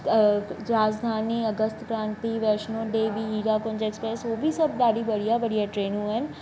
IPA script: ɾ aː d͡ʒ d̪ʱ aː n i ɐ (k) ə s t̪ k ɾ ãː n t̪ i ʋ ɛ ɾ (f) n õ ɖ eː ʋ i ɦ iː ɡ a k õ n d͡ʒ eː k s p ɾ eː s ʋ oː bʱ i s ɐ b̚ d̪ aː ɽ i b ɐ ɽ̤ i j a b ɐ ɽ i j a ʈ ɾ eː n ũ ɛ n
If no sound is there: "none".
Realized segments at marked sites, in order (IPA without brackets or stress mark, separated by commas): ɡ, ʃ